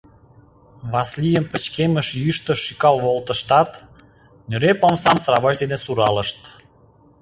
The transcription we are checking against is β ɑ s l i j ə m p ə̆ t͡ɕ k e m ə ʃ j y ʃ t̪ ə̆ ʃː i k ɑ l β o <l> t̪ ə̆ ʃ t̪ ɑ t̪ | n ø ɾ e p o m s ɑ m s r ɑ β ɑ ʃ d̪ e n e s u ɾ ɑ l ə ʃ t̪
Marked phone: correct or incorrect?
correct